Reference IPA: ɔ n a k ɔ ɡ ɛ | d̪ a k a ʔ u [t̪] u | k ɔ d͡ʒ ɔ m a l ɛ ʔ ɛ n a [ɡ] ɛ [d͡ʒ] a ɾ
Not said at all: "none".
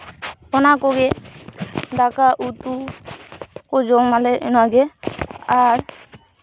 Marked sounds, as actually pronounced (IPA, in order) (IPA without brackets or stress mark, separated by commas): t̪, ɡ, none